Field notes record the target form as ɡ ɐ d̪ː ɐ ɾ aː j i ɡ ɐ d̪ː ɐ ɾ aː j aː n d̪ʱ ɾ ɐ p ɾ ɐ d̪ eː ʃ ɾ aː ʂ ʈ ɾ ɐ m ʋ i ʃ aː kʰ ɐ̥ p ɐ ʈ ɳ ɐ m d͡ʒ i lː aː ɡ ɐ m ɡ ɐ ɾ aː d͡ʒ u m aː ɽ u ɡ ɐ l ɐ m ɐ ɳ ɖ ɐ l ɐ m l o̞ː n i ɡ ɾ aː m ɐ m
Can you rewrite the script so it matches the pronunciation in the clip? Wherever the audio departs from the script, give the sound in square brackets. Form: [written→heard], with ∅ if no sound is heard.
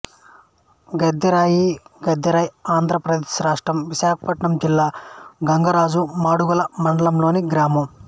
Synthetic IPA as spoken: ɡ ɐ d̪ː ɐ ɾ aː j i ɡ ɐ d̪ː ɐ ɾ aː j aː n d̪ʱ ɾ ɐ p ɾ ɐ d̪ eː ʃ ɾ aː ʂ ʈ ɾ ɐ m ʋ i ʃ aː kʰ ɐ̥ p ɐ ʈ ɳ ɐ m d͡ʒ i lː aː ɡ ɐ [m→ŋ] ɡ ɐ ɾ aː d͡ʒ u m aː ɽ u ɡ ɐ l ɐ m ɐ ɳ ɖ ɐ l ɐ m l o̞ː n i ɡ ɾ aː m ɐ m